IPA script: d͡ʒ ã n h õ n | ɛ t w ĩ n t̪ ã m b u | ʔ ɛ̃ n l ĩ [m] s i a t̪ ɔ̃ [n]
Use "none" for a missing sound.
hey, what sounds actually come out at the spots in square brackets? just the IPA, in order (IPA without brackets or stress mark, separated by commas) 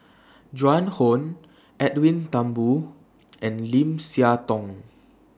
m, ŋ